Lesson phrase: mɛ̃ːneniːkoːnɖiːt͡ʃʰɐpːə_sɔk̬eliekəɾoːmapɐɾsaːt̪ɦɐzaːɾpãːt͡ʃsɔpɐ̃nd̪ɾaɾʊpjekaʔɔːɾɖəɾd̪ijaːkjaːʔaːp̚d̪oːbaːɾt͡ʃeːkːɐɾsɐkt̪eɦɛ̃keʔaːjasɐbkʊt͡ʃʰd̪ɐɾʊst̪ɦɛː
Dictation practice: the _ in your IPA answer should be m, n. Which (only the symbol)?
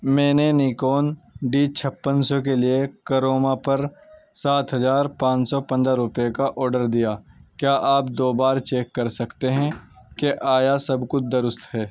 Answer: n